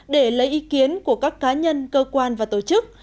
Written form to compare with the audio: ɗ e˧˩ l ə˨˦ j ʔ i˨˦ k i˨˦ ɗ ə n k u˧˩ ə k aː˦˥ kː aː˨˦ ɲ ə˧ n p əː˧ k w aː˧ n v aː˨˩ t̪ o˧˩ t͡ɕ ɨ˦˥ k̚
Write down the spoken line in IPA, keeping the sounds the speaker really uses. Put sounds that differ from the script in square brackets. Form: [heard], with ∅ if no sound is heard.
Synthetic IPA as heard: ɗ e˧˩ l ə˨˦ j ʔ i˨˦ k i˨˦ [∅] ə n k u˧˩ ə k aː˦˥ kː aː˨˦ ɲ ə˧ n [k] əː˧ k w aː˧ n v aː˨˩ t̪ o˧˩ t͡ɕ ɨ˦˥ k̚